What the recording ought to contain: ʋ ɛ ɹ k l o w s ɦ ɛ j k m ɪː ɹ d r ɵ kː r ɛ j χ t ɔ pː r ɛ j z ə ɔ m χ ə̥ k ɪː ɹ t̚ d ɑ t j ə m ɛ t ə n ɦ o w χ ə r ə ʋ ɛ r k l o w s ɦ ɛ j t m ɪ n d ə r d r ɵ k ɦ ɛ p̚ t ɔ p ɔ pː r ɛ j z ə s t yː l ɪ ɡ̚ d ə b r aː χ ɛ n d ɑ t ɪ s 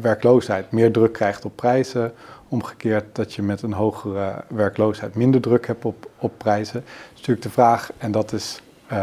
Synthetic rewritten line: ʋ ɛ ɹ k l o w s ɦ ɛ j t m ɪː ɹ d r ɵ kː r ɛ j χ t ɔ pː r ɛ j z ə ɔ m χ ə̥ k ɪː ɹ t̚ d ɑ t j ə m ɛ t ə n ɦ o w χ ə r ə ʋ ɛ ɹ k l o w s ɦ ɛ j t m ɪ n d ə ɹ d r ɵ k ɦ ɛ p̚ t ɔ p ɔ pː r ɛ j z ə s t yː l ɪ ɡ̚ d ə v r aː χ ɛ n d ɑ t ɪ s